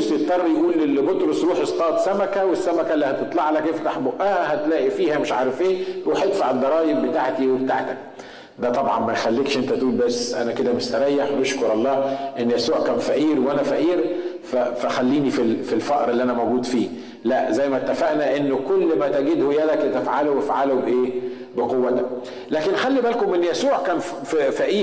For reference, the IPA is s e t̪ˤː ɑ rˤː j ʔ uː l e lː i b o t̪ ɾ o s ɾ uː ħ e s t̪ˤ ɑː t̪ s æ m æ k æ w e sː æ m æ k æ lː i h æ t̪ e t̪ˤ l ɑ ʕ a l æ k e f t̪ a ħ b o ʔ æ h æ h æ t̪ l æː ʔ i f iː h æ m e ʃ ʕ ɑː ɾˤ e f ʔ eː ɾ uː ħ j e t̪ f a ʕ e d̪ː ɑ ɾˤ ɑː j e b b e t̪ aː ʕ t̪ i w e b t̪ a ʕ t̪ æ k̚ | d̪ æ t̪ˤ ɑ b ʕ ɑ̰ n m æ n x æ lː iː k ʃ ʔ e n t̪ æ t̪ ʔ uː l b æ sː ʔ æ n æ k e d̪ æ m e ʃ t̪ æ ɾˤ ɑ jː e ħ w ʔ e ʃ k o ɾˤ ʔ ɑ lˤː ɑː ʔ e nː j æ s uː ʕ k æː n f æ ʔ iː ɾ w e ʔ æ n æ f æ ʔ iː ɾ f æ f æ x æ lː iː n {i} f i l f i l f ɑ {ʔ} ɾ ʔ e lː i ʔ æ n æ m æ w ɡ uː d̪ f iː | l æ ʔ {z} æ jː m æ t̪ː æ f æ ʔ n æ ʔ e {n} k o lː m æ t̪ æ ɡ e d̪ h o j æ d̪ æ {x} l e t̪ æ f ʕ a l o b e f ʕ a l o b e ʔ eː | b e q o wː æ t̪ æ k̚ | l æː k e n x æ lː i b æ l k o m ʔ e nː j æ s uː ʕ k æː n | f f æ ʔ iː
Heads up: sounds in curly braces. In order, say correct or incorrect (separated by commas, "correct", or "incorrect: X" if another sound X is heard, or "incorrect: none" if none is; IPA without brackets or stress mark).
correct, correct, correct, incorrect: nː, incorrect: k